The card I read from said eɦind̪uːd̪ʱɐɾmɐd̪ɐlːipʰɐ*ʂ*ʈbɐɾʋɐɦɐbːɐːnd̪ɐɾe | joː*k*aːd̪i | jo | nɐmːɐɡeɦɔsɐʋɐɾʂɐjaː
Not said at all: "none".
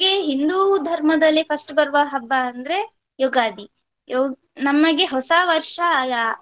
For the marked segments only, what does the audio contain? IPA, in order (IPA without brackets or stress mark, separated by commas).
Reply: s, ɡ